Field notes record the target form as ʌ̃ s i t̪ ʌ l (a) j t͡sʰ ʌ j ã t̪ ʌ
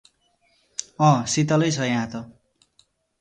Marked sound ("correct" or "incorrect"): incorrect